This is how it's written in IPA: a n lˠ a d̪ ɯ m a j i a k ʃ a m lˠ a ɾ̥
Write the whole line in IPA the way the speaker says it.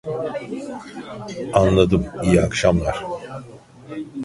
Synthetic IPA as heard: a n lˠ a d̪ ɯ m i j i a k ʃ a m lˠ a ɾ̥